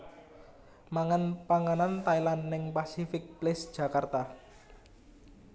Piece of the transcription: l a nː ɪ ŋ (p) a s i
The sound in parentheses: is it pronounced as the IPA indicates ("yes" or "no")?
yes